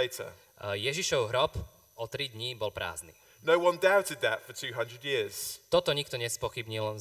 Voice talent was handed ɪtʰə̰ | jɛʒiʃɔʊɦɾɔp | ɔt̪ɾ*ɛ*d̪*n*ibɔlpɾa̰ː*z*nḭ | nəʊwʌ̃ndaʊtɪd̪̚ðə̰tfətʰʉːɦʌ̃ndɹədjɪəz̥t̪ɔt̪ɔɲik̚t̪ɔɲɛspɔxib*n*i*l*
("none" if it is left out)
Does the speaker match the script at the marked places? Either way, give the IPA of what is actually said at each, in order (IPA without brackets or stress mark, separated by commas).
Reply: i, ɲ, z, ɲ, l